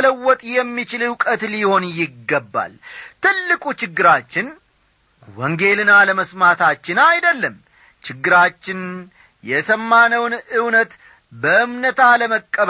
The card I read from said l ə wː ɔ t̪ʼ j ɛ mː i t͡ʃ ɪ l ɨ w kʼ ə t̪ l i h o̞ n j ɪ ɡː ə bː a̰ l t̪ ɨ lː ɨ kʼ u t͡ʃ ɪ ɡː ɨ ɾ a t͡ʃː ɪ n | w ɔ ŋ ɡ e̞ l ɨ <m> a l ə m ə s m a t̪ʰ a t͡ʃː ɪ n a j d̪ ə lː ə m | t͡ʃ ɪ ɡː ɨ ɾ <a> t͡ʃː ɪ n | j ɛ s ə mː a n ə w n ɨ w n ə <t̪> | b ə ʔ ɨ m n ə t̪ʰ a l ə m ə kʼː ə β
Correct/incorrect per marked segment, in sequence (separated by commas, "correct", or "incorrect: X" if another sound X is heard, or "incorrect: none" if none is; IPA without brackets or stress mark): incorrect: n, correct, correct